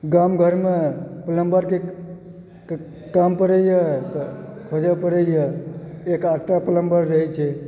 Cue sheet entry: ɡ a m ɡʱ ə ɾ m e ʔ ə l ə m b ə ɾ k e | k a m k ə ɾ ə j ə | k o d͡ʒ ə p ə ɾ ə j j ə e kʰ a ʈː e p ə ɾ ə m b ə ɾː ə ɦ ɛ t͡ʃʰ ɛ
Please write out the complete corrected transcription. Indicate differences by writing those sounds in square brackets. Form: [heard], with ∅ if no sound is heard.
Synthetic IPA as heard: ɡ a m ɡʱ ə ɾ m e [p] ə l ə m b ə ɾ k e | k a m [p] ə ɾ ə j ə | [kʰ] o d͡ʒ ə p ə ɾ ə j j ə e [k] a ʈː [a] p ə [l] ə m b ə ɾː ə ɦ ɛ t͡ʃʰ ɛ